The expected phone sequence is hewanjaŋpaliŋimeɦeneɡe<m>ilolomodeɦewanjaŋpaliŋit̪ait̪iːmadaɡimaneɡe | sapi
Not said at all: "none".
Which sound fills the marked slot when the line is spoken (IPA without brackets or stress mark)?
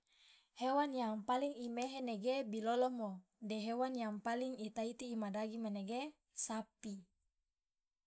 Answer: b